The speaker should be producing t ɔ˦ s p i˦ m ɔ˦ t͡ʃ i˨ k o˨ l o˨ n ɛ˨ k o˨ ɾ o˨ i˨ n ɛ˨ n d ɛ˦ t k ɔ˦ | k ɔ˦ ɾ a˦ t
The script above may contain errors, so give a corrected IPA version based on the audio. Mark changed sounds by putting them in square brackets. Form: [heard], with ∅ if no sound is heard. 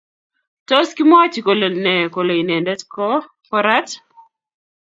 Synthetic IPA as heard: t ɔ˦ s [k] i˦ m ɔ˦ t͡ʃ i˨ k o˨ l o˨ n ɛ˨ k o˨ [l] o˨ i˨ n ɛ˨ n d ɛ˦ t k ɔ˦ | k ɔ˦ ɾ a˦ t